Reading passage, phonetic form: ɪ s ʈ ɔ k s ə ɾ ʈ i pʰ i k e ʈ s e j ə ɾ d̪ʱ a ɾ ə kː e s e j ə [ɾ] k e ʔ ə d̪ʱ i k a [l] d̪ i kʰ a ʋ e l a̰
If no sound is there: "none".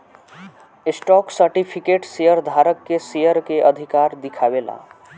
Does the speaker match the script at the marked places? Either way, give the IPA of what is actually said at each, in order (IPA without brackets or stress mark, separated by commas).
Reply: ɾ, ɾ